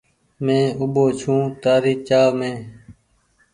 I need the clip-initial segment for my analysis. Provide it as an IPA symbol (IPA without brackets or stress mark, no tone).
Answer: m